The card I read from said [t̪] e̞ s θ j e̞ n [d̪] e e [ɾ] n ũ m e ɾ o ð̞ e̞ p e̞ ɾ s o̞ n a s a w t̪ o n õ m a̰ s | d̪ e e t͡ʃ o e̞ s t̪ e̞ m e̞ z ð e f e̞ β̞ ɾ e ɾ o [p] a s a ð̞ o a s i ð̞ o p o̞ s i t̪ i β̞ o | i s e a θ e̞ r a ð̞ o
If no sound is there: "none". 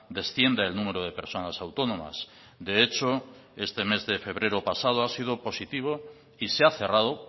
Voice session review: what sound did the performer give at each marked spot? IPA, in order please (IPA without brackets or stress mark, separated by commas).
d̪, d̪, l, p